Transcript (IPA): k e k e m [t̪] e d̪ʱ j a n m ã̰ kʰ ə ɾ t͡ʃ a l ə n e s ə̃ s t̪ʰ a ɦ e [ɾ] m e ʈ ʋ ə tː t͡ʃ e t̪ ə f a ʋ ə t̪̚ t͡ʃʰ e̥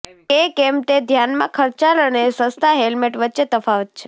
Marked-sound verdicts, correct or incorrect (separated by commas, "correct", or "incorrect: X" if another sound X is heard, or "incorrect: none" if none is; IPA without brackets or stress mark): correct, incorrect: l